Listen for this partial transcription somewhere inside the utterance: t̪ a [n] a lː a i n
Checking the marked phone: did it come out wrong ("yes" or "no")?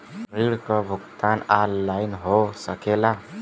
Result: no